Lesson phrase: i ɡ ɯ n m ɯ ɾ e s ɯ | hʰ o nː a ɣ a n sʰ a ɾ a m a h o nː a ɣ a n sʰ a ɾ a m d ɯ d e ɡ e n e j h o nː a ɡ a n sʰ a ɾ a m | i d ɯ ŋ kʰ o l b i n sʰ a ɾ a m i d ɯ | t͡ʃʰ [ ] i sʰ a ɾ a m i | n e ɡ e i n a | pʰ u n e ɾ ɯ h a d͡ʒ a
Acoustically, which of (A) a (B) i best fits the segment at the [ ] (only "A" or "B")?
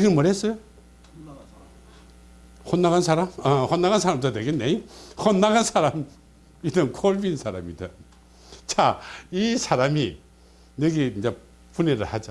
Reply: A